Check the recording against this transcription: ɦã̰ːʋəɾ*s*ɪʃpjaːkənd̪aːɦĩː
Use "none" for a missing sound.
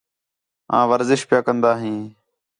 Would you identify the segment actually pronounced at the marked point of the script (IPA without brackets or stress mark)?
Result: z